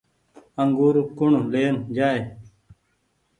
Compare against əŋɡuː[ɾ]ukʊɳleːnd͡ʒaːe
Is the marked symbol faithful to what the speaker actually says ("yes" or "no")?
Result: yes